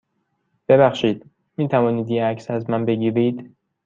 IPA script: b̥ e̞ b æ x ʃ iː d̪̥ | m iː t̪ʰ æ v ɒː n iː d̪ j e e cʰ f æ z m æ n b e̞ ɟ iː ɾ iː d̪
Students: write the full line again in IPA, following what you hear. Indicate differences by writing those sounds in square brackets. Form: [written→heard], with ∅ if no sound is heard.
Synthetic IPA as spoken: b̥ e̞ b æ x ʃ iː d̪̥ | m iː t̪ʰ æ v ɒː n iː d̪ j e [e→æ] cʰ [f→s] æ z m æ n b e̞ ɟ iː ɾ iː d̪

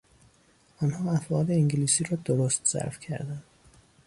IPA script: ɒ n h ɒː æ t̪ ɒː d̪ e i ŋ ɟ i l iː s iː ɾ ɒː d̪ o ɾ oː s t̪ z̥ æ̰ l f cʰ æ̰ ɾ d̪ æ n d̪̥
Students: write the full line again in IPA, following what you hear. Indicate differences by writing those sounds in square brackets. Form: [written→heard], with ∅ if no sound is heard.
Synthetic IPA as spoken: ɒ n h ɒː æ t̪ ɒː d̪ e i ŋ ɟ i l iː s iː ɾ ɒː d̪ o ɾ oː s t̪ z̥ æ̰ [l→ɾ] f cʰ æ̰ ɾ d̪ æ n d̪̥

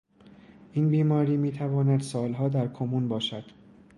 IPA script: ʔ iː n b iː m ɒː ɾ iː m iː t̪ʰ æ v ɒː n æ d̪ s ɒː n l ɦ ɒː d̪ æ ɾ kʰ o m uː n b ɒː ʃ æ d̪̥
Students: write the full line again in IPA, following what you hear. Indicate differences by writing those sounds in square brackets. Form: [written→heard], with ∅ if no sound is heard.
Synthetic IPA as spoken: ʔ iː n b iː m ɒː ɾ iː m iː t̪ʰ æ v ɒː n æ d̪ s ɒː [n→∅] l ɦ ɒː d̪ æ ɾ kʰ o m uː n b ɒː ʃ æ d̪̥

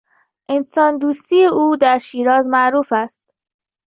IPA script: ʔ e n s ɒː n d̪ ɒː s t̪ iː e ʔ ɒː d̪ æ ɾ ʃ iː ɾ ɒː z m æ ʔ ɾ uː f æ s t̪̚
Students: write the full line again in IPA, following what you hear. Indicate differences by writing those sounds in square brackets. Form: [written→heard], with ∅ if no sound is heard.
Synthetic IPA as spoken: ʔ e n s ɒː n d̪ [ɒː→uː] s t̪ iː e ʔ [ɒː→uː] d̪ æ ɾ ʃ iː ɾ ɒː z m æ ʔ ɾ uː f æ s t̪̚

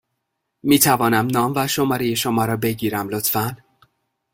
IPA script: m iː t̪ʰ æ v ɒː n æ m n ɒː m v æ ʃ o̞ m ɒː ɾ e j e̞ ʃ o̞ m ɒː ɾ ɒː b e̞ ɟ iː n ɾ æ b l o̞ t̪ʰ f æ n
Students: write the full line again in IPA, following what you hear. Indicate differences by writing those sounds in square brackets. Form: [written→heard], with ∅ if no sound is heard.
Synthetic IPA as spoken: m iː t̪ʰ æ v ɒː n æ m n ɒː m v æ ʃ o̞ m ɒː ɾ e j e̞ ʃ o̞ m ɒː ɾ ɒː b e̞ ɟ iː [n→∅] ɾ æ [b→m] l o̞ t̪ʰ f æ n

